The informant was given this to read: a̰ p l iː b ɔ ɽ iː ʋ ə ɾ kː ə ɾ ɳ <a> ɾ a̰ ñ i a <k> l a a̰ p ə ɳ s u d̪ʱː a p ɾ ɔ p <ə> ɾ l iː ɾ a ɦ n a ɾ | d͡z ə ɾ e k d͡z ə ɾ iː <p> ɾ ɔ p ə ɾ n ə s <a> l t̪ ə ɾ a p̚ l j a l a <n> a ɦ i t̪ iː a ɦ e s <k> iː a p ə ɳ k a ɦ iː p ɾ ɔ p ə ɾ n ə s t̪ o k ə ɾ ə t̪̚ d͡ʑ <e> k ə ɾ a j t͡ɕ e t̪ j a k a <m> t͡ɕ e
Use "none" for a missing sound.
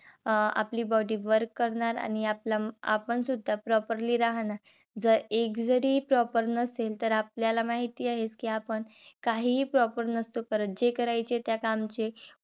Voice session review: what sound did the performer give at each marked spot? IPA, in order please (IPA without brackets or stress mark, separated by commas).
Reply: a, p, ə, p, e, m, k, e, m